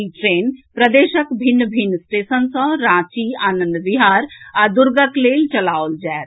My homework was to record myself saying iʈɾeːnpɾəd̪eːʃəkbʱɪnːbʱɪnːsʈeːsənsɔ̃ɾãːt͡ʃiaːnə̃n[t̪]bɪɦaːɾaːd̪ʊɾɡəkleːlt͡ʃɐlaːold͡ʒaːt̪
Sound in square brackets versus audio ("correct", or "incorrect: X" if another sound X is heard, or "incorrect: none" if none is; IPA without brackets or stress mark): incorrect: d̪